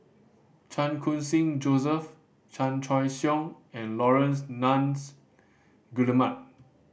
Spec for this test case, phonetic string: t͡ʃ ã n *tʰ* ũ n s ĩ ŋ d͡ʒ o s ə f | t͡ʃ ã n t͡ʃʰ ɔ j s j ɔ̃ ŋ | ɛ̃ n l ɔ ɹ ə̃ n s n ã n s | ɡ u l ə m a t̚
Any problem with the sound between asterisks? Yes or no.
yes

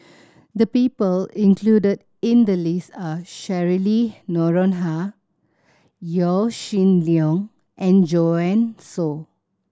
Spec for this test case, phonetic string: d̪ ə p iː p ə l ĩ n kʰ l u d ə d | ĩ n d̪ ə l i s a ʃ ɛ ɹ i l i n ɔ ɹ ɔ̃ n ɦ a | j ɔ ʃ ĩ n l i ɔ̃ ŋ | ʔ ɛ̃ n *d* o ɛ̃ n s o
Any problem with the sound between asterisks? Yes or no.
yes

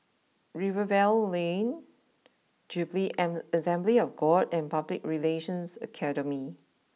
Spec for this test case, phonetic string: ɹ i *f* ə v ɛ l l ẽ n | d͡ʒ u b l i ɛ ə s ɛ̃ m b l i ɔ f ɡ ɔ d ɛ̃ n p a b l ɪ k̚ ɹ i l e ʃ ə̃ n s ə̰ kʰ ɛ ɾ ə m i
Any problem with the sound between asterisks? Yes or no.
yes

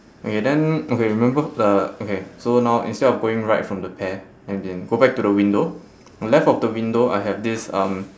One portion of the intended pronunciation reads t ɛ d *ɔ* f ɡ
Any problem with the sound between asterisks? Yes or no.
no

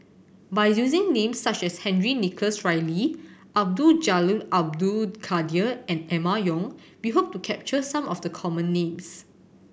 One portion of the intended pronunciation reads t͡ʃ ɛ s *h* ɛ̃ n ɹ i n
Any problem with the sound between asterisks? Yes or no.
no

